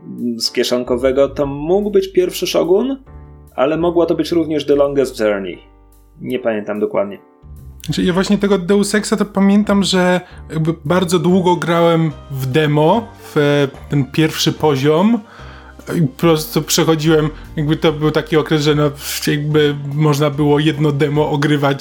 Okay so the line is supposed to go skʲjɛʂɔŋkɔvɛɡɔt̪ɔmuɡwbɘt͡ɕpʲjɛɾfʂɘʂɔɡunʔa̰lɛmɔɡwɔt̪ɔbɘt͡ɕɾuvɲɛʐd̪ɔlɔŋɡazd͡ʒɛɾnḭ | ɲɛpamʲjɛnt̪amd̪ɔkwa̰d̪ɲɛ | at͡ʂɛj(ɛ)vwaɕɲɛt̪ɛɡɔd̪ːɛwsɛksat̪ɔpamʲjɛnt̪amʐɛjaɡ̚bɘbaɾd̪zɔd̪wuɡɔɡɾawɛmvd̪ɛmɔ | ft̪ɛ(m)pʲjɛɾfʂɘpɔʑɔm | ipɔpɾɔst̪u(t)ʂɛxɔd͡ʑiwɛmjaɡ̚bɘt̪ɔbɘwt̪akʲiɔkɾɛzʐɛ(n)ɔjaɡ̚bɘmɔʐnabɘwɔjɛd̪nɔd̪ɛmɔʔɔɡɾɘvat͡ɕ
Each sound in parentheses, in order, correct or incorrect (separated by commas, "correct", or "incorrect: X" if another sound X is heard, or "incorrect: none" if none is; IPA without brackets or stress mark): incorrect: a, incorrect: n, incorrect: p, correct